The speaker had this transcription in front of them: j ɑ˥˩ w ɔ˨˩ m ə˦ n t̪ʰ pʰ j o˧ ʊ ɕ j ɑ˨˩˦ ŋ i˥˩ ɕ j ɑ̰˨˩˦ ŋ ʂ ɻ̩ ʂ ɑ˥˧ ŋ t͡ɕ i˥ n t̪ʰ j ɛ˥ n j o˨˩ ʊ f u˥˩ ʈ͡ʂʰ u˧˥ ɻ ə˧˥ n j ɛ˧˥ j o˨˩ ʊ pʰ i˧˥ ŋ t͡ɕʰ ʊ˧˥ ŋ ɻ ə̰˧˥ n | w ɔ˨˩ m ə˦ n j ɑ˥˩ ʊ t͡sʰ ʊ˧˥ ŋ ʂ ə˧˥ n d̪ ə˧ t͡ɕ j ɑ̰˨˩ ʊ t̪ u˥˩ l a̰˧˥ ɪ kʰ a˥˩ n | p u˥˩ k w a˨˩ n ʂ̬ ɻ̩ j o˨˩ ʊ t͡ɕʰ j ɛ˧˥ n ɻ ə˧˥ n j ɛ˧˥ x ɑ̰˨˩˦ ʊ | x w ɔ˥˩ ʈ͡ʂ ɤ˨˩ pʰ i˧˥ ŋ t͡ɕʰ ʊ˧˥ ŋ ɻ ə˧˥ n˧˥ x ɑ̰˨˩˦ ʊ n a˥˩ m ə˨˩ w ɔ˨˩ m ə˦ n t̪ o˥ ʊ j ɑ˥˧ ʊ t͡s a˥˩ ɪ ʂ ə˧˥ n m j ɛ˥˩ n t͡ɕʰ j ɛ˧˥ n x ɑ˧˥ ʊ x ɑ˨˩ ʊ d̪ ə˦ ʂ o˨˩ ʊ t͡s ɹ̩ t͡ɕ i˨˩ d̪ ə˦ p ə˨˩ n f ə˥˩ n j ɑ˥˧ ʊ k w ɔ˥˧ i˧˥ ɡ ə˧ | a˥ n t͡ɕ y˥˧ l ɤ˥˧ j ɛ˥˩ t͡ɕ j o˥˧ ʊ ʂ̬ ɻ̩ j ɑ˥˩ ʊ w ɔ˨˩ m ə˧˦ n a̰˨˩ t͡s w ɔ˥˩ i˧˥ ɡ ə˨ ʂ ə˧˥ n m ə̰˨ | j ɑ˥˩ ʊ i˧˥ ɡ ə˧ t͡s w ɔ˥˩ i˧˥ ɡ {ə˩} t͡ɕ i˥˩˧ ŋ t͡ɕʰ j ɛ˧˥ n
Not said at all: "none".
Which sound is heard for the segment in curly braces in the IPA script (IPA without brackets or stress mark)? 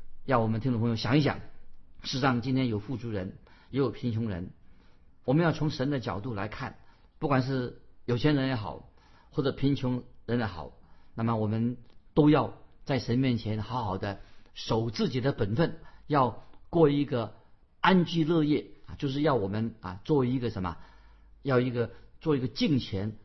ə˧